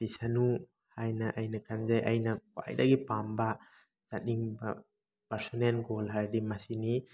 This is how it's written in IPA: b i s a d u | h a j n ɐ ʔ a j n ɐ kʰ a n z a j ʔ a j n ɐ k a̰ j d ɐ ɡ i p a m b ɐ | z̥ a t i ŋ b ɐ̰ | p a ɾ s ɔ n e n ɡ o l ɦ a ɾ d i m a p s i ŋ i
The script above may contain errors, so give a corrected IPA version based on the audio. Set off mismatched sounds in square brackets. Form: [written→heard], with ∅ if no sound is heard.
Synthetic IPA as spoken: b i s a [d→n] u | h a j n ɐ ʔ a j n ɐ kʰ a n z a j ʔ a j n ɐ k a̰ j d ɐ ɡ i p a m b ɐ | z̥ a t i ŋ b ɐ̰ | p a ɾ s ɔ n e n ɡ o l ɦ a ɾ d i m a [p→∅] s i [ŋ→n] i